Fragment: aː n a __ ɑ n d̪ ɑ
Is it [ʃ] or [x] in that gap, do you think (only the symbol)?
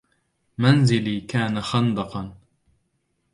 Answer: x